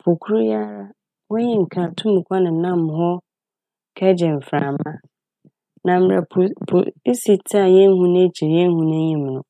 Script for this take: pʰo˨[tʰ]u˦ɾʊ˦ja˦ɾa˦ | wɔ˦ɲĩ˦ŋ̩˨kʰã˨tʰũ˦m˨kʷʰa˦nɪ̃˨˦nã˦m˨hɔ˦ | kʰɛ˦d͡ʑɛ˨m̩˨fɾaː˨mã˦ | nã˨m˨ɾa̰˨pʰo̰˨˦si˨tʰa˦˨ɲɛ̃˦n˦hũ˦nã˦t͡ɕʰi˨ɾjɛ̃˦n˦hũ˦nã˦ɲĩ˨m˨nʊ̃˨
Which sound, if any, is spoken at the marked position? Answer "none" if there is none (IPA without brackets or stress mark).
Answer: kʰ